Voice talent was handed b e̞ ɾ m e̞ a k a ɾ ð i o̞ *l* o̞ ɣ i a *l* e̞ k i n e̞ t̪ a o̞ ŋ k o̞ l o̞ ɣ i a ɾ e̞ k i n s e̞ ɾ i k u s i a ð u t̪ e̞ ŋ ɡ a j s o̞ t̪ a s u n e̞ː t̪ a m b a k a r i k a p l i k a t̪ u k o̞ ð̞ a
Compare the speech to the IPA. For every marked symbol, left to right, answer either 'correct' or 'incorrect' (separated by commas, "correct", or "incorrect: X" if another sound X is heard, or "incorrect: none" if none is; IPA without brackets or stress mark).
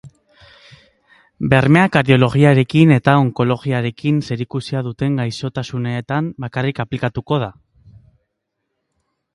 correct, incorrect: ɾ